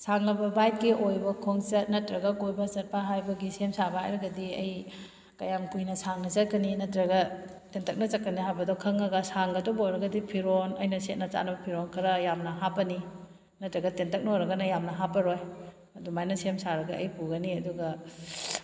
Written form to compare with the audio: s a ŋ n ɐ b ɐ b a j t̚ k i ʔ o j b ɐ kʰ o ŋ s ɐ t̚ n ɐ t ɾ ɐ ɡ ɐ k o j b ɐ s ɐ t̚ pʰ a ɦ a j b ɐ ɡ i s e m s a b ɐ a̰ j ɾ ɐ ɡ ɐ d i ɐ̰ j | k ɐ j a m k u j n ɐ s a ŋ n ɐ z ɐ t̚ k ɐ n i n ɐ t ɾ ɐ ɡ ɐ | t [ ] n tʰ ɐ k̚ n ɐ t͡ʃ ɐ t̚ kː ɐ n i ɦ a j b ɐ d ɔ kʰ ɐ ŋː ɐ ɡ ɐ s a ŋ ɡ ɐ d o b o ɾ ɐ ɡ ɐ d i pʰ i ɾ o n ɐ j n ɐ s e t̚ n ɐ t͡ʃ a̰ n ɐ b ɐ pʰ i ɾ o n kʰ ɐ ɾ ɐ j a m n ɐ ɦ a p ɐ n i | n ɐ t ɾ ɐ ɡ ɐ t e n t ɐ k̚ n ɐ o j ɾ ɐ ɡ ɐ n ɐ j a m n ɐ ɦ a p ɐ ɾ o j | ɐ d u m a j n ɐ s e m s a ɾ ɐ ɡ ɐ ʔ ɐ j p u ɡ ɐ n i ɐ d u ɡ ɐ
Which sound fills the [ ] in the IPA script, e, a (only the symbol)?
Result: e